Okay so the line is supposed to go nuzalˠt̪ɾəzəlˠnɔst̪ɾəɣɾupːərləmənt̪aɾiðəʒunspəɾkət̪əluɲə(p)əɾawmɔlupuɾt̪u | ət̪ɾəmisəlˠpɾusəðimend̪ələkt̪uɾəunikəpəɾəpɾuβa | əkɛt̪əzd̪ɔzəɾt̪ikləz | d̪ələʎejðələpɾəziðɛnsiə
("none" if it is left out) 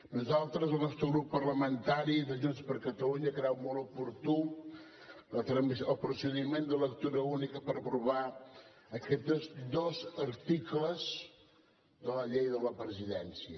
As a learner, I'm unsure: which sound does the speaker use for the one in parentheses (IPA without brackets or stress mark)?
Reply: k